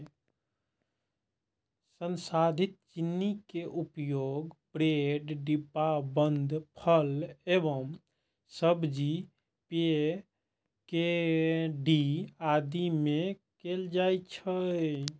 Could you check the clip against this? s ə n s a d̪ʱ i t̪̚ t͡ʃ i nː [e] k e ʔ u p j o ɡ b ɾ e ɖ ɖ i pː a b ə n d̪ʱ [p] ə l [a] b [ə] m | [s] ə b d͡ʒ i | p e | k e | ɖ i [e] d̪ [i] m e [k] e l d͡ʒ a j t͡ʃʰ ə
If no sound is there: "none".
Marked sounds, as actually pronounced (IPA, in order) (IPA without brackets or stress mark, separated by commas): i, pʰ, e, ə, s, a, i, k